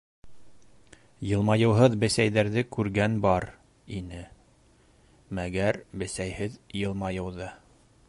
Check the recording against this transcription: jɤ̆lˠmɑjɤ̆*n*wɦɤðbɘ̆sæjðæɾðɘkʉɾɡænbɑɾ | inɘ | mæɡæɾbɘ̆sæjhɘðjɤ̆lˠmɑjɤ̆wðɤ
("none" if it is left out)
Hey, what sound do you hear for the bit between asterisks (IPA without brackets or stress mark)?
none